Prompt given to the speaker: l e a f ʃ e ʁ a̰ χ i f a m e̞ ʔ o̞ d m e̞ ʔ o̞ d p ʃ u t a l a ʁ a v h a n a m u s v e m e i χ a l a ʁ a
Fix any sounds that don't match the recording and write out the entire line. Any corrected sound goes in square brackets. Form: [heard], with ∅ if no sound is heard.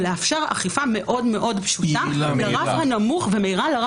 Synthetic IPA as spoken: l e a f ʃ e ʁ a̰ χ i f a m e̞ ʔ o̞ d m e̞ ʔ o̞ d p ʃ u t a l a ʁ a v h a n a m u [χ] v e m e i [ʁ] a l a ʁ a